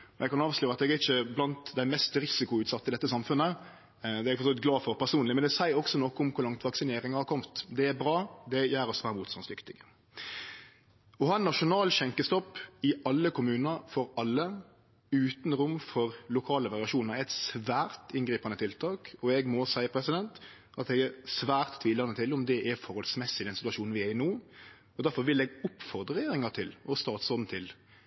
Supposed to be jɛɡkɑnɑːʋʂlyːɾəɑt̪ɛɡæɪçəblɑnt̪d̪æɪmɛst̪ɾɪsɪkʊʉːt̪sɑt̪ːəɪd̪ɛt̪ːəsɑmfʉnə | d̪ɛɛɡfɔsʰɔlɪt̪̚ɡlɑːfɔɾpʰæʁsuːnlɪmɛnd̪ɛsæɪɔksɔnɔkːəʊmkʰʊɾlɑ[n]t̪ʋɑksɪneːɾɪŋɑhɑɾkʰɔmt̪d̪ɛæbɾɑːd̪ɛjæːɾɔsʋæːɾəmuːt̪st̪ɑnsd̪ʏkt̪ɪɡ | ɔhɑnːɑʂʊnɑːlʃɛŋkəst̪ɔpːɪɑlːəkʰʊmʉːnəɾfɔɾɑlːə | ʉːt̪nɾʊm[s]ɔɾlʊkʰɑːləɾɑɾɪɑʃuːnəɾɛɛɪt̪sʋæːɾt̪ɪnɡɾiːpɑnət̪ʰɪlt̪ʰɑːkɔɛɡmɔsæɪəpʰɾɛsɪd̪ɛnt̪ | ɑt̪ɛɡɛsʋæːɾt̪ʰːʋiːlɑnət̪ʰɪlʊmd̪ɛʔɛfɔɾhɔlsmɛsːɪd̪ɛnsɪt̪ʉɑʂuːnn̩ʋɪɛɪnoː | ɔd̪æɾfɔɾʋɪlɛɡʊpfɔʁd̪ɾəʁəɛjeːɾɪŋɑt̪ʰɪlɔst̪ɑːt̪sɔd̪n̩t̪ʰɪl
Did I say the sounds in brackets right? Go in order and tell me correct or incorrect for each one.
incorrect: ŋ, incorrect: f

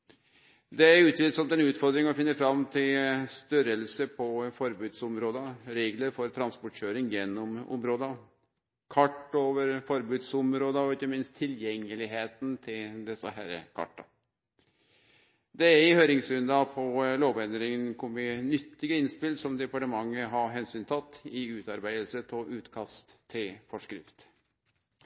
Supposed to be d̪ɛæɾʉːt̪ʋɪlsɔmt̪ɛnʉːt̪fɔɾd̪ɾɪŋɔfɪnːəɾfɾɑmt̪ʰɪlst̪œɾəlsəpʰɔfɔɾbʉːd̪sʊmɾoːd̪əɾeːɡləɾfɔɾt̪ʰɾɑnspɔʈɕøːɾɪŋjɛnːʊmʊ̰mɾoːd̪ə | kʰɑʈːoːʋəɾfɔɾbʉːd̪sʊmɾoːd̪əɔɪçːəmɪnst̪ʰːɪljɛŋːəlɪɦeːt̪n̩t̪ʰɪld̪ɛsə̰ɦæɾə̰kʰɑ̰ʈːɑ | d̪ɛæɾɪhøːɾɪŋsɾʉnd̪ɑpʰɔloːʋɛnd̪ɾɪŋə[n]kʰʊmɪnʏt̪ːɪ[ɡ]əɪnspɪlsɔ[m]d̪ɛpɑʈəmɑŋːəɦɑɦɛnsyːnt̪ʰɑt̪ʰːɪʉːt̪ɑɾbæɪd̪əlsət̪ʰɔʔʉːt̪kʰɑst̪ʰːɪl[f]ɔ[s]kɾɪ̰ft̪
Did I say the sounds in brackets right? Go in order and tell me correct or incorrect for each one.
correct, correct, correct, correct, incorrect: ʂ

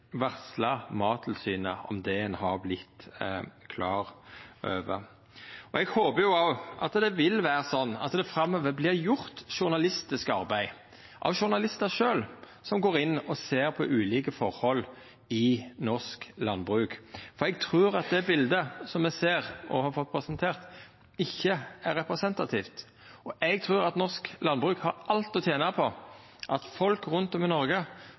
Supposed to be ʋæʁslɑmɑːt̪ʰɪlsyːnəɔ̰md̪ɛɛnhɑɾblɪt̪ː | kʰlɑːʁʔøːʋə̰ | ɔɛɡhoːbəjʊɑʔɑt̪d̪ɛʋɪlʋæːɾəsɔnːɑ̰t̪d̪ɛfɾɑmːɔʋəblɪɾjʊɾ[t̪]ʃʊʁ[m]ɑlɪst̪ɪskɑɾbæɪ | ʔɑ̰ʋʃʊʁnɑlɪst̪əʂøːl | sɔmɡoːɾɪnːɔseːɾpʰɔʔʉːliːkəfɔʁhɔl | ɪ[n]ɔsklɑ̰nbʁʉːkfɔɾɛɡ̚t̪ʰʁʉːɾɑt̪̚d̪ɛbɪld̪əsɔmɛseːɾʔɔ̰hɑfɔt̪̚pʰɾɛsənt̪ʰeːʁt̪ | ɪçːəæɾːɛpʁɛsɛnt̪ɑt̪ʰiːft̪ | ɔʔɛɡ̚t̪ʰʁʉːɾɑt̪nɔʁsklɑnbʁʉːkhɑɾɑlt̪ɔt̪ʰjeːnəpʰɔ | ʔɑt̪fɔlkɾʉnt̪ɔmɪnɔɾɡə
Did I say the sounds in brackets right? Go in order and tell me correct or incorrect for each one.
correct, incorrect: n, correct

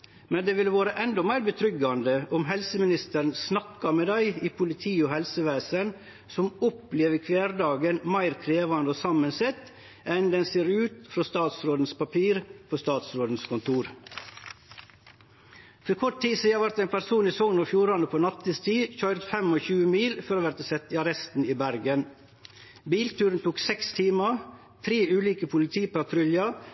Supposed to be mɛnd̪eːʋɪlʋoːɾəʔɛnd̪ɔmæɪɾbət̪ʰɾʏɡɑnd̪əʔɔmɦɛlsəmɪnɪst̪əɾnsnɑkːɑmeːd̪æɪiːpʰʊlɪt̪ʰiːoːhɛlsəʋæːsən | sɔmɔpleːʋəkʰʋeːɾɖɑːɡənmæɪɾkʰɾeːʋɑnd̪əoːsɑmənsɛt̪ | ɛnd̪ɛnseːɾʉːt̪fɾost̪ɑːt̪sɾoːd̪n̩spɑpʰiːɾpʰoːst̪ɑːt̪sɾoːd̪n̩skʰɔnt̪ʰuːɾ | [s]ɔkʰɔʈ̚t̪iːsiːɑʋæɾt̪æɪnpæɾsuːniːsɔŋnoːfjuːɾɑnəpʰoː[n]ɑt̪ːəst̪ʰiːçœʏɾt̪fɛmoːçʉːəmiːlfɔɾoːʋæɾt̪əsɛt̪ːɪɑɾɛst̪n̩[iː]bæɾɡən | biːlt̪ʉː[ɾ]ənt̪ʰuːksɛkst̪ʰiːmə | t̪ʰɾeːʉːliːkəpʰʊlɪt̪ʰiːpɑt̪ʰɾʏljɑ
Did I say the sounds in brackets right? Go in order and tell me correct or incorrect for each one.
incorrect: f, correct, correct, correct

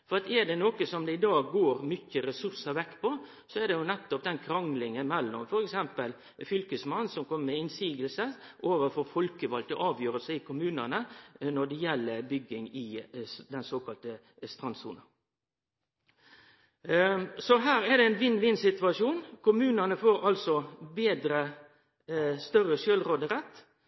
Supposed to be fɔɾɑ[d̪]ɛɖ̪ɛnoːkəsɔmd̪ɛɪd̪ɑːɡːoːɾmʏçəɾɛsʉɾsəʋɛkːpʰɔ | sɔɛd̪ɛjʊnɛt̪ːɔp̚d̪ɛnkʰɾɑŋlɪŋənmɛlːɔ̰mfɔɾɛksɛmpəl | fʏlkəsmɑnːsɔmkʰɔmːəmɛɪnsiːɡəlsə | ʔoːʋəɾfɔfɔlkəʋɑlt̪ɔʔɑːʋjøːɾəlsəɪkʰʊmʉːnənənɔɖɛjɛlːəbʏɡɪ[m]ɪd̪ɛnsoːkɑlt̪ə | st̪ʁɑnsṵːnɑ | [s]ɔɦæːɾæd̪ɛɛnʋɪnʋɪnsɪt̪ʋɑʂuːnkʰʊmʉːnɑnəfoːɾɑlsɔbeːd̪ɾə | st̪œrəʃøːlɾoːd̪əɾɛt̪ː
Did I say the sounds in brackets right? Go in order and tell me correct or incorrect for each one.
incorrect: t̪, incorrect: ŋ, correct

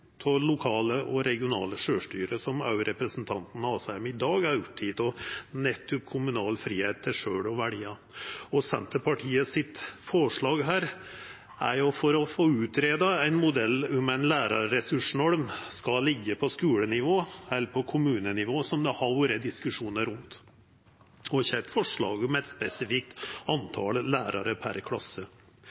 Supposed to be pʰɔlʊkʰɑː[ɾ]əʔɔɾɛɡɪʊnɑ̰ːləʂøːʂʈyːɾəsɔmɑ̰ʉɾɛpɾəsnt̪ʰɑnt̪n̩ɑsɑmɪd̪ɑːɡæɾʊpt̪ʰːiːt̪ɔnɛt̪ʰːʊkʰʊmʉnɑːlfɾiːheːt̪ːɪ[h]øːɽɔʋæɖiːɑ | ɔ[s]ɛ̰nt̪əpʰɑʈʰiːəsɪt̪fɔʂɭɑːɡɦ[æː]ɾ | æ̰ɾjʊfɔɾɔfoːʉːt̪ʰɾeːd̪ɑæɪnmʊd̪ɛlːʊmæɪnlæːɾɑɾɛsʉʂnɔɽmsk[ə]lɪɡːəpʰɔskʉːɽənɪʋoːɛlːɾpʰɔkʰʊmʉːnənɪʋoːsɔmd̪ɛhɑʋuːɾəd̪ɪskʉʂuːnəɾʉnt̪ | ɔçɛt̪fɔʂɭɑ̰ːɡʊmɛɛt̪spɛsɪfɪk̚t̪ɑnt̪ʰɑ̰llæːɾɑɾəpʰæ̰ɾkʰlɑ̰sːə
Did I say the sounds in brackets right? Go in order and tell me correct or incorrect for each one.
incorrect: l, incorrect: ʂ, correct, correct, incorrect: ɑ

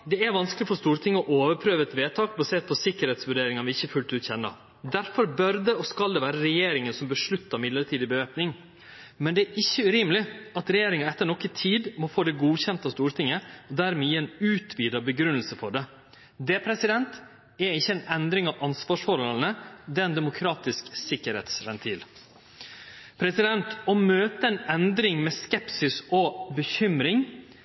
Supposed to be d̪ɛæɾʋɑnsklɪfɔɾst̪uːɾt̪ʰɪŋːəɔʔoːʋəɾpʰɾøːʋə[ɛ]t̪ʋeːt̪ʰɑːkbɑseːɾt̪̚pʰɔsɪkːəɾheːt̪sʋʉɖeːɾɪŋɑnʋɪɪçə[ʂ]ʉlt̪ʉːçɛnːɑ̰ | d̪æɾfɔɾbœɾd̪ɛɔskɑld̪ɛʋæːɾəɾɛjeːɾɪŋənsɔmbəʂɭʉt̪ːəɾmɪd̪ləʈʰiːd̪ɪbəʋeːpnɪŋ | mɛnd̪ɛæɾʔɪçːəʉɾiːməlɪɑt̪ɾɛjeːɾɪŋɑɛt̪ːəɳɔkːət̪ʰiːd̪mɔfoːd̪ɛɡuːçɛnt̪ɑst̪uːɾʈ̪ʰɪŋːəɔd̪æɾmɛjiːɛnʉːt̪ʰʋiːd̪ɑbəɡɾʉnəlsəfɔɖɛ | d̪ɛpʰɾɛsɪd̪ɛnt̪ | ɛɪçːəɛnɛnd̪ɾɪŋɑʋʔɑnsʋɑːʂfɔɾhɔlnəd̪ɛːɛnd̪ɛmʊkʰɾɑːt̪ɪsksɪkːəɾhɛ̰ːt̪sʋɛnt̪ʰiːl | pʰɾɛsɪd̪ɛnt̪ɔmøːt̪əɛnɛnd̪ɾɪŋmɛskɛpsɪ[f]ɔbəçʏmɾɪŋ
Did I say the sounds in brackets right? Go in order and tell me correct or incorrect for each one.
correct, incorrect: f, incorrect: s

